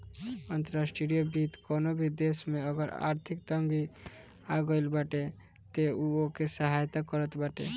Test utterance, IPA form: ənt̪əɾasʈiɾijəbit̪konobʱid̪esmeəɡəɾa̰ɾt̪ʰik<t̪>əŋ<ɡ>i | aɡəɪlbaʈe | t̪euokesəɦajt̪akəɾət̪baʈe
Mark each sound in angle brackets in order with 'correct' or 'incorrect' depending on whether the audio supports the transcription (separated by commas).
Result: correct, correct